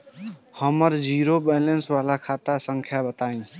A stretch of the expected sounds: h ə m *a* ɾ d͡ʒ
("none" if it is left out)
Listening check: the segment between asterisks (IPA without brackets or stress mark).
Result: ə